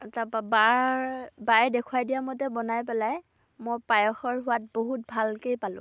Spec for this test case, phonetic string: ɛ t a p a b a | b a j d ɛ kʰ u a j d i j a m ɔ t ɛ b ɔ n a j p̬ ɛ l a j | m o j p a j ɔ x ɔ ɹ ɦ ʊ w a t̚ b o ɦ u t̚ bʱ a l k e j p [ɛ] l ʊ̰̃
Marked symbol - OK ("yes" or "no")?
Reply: no